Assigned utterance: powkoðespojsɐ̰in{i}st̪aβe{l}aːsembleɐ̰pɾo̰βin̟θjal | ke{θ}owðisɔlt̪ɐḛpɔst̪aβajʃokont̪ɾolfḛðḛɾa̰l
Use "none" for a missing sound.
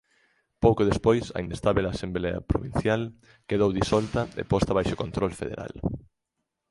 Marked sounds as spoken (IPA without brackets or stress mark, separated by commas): e, l, ð